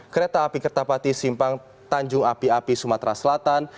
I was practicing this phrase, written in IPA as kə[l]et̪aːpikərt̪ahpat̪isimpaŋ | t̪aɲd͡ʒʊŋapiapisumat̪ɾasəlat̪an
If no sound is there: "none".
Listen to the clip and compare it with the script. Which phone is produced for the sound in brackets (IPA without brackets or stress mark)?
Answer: ɾ